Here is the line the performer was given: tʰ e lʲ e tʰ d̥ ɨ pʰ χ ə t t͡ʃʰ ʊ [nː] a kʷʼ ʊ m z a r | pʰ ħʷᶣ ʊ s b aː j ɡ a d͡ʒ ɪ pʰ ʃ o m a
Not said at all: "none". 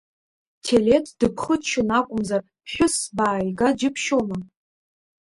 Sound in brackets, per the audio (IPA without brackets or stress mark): n